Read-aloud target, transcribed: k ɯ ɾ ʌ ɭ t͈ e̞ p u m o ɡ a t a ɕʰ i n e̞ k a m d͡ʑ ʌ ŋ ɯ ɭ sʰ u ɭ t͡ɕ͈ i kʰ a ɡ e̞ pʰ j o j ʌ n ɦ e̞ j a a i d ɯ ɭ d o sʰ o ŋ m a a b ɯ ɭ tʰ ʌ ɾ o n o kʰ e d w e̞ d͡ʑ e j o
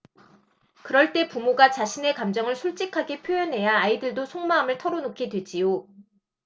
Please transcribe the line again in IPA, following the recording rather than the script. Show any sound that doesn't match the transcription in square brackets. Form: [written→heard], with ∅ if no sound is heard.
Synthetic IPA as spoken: k ɯ ɾ ʌ ɭ t͈ e̞ p u m o ɡ a [t→t͡ɕ] a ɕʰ i n e̞ k a m d͡ʑ ʌ ŋ ɯ ɭ sʰ u ɭ t͡ɕ͈ i kʰ a ɡ e̞ pʰ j o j ʌ n ɦ e̞ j a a i d ɯ ɭ d o sʰ o ŋ m a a [b→m] ɯ ɭ tʰ ʌ ɾ o n o kʰ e d w e̞ d͡ʑ [e→i] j o